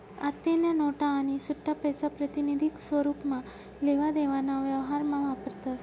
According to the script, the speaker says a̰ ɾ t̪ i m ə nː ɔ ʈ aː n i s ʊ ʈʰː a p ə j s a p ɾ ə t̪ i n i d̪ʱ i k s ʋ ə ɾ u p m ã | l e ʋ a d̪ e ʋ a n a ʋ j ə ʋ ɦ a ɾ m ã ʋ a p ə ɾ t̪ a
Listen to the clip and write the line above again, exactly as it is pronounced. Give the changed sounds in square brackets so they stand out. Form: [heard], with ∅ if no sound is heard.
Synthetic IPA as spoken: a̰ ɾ t̪ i [n] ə [n] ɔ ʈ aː n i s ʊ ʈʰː a p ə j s a p ɾ ə t̪ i n i d̪ʱ i k s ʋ ə ɾ u p m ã | l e ʋ a d̪ e ʋ a n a ʋ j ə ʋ ɦ a ɾ m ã ʋ a p ə ɾ t̪ a